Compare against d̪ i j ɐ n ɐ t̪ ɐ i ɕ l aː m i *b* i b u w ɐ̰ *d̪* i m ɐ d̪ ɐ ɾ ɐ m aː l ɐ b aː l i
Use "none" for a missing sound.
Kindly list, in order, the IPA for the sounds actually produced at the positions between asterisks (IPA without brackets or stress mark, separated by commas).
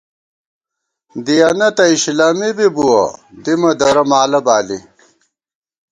b, d̪